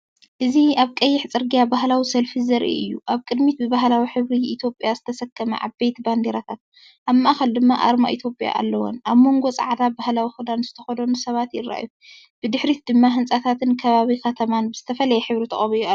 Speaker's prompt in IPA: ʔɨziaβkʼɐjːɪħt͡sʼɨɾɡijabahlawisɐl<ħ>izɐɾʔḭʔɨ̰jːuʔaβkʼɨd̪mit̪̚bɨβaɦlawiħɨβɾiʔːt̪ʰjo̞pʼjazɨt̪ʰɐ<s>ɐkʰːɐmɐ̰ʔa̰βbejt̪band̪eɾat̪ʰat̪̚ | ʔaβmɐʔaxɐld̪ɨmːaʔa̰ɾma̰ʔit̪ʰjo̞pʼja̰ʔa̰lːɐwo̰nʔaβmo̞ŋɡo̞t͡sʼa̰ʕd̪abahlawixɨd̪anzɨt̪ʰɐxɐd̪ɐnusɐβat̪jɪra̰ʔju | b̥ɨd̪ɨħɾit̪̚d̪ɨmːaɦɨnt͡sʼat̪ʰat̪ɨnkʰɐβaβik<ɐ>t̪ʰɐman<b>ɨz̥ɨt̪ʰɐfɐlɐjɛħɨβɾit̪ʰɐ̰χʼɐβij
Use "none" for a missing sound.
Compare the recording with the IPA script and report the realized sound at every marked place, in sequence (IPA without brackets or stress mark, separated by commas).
f, s, ɐ, b